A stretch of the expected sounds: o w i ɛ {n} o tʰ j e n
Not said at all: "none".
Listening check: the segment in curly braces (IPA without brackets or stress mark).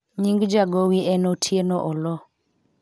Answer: n